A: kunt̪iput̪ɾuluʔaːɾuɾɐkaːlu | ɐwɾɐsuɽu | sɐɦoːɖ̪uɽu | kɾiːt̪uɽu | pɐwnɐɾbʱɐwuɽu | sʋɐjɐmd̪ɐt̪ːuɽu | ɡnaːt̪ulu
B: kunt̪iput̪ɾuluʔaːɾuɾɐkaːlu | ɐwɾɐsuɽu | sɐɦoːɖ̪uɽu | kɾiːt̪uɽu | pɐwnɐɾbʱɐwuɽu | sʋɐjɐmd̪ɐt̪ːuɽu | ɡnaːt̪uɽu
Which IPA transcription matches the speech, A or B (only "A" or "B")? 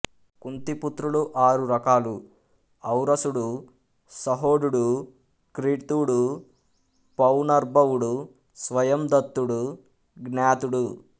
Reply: B